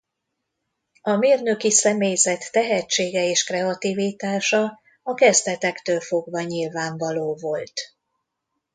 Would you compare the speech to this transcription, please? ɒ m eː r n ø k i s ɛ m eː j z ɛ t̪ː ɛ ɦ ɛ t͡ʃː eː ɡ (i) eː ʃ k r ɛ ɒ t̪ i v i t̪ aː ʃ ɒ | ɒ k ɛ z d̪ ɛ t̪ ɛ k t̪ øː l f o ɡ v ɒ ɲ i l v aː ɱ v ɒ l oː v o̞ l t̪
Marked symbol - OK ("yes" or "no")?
no